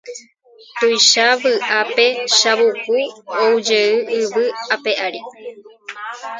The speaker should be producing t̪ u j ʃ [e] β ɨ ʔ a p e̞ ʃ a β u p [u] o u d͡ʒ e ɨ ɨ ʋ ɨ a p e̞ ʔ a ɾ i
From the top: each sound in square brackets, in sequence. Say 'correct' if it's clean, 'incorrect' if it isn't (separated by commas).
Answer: incorrect, correct